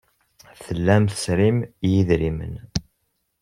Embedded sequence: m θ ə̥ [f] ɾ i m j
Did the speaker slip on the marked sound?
yes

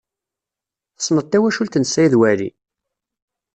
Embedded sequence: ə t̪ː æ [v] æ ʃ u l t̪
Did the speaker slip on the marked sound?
yes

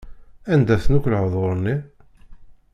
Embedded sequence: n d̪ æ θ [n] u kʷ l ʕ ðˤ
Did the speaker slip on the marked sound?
no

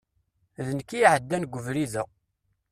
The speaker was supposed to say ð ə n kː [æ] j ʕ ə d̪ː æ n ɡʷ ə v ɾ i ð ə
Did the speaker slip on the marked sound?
yes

